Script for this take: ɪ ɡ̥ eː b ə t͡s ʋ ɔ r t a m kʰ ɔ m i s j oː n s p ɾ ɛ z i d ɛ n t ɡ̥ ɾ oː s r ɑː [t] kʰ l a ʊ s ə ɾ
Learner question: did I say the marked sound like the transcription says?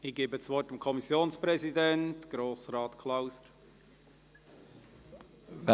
yes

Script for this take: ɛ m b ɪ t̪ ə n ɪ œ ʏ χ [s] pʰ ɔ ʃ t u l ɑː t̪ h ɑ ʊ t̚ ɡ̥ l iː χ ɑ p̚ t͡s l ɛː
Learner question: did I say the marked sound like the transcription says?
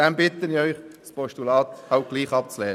yes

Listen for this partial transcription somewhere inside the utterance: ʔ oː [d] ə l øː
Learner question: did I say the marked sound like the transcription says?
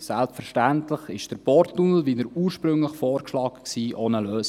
no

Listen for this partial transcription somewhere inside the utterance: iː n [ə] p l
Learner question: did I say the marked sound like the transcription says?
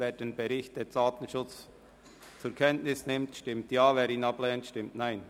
no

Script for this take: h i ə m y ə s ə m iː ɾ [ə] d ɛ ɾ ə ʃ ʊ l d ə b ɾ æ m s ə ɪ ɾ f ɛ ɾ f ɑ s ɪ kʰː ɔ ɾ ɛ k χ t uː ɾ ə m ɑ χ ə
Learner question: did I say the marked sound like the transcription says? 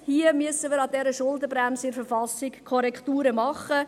no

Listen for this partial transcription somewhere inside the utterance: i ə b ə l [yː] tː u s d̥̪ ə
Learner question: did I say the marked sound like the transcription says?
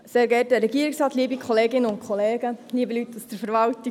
no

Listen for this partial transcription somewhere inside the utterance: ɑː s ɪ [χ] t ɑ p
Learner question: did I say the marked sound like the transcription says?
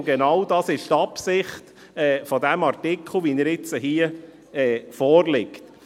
no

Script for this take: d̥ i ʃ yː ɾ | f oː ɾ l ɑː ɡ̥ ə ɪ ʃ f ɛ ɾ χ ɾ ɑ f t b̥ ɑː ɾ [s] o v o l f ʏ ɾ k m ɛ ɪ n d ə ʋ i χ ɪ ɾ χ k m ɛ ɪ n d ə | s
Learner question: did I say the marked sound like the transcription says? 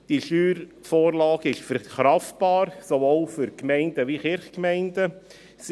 yes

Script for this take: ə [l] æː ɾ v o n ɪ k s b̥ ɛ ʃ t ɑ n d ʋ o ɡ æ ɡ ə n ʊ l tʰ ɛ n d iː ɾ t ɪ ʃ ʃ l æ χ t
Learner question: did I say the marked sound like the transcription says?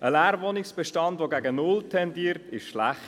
yes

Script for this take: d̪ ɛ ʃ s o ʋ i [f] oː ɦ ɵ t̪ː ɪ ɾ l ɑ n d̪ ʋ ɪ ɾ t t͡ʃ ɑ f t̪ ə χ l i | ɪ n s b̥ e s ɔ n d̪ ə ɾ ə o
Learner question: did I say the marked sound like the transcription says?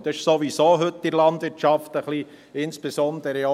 no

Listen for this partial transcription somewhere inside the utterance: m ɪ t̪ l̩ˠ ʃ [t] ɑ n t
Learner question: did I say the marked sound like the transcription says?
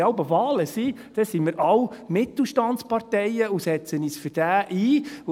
yes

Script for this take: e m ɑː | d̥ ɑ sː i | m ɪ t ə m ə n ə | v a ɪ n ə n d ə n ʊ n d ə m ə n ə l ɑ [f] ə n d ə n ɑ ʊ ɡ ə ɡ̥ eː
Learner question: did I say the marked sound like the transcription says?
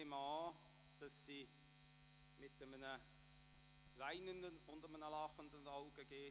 no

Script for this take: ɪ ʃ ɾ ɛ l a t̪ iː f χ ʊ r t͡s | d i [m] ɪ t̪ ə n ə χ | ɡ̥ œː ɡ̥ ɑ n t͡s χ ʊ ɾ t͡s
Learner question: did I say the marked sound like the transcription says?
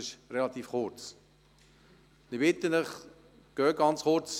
no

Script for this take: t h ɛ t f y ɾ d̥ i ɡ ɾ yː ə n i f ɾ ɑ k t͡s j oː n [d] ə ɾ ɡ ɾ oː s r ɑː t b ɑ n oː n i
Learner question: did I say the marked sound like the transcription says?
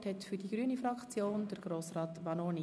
yes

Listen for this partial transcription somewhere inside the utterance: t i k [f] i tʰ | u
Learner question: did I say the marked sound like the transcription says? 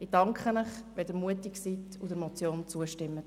no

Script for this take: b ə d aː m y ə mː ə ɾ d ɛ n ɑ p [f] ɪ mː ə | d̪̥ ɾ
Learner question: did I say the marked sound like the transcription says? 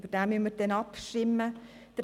no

